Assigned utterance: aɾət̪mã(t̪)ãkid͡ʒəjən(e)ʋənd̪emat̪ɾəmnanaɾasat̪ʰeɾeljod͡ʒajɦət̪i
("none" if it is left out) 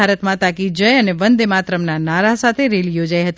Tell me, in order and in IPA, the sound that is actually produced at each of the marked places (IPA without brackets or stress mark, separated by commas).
t̪, e